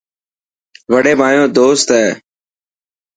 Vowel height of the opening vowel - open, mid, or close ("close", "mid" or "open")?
mid